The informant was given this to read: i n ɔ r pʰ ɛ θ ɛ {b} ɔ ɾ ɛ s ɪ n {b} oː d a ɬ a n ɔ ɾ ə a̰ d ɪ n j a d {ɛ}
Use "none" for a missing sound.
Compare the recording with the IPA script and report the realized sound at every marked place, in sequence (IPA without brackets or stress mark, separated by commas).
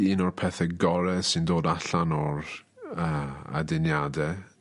ɡ, d, ɛ